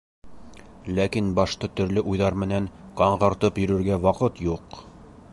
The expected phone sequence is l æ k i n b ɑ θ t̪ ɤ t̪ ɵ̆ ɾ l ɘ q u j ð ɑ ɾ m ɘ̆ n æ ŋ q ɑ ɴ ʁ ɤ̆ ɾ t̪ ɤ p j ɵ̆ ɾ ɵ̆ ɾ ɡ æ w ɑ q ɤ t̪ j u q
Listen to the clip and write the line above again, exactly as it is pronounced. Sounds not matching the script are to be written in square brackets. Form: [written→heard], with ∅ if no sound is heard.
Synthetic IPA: l æ k i n b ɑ [θ→ʃ] t̪ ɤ t̪ ɵ̆ ɾ l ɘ [q→ʔ] u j ð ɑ ɾ m ɘ̆ n æ ŋ q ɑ ɴ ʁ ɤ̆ ɾ t̪ ɤ p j ɵ̆ ɾ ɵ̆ ɾ ɡ æ w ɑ q ɤ t̪ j u q